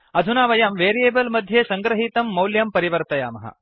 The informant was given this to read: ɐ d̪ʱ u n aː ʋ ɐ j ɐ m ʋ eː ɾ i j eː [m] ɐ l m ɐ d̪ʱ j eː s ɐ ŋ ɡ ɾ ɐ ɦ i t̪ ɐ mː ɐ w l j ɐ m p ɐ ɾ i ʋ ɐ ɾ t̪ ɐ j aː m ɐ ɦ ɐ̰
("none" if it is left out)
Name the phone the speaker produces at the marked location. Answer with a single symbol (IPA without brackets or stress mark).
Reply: b